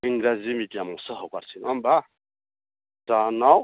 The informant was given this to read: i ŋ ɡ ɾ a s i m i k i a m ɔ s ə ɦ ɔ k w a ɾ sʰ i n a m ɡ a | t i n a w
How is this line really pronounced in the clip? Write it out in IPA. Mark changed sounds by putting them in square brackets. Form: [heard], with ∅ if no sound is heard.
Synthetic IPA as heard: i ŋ ɡ ɾ a [z] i m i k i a m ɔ s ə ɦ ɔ k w a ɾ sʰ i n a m [b] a | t [a] n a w